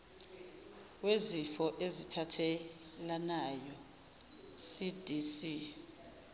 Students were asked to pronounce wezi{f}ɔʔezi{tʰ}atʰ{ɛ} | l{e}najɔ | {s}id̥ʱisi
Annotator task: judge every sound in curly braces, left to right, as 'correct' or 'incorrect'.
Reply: correct, correct, correct, incorrect, correct

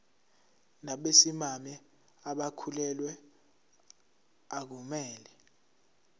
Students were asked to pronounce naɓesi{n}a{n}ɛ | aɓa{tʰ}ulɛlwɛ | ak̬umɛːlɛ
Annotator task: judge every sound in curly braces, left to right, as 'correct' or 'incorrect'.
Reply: incorrect, incorrect, incorrect

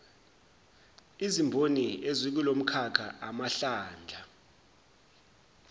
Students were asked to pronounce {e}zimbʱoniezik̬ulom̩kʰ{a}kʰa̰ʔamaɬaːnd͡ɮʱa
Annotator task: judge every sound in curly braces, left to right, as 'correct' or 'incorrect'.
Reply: incorrect, correct

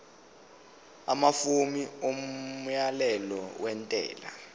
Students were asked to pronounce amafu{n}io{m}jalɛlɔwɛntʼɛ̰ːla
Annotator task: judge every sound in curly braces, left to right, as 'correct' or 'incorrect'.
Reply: incorrect, correct

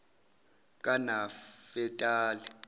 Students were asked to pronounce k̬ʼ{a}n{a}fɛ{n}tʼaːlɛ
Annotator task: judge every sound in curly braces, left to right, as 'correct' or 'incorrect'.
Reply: correct, correct, incorrect

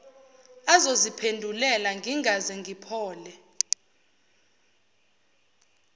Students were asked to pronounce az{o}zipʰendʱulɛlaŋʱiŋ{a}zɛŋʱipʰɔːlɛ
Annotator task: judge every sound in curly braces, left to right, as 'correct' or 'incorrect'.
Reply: correct, correct

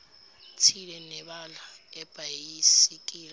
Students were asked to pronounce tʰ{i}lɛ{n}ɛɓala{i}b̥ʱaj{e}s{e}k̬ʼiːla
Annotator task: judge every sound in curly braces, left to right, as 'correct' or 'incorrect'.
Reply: correct, correct, incorrect, incorrect, incorrect

